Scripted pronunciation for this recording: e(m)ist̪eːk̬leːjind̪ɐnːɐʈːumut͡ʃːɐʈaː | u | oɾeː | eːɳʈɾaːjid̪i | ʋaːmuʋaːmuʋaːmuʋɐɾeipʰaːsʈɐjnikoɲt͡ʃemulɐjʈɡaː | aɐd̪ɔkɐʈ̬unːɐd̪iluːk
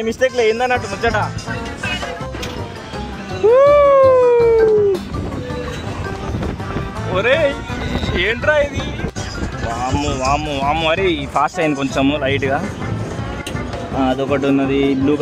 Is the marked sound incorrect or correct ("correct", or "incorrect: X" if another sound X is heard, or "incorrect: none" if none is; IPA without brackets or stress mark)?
correct